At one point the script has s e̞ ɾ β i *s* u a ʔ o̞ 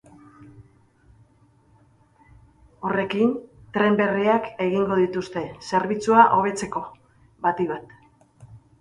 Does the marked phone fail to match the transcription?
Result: yes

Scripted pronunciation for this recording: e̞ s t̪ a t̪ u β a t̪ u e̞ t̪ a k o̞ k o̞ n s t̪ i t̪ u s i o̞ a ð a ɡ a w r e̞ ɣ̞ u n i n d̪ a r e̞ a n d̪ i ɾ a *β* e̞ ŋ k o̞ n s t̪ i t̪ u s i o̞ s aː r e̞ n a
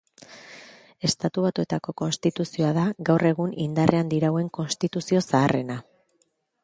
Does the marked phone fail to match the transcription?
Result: yes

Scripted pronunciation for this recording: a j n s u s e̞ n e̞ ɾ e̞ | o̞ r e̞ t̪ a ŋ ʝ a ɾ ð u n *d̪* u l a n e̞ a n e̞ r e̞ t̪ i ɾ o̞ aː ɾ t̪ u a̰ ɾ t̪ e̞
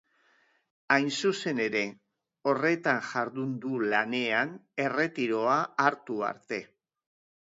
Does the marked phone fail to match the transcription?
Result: no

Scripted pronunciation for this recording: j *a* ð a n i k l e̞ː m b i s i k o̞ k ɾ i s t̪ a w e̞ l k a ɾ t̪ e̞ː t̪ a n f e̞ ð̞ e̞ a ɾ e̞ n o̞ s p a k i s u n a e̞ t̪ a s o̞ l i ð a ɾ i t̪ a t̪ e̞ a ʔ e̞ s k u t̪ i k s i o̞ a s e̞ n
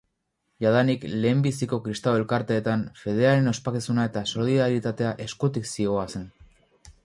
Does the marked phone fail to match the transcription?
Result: no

